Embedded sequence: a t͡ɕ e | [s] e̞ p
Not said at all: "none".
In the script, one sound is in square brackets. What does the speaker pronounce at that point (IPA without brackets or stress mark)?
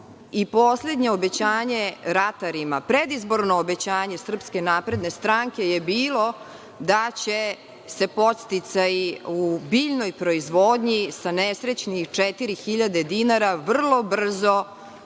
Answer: s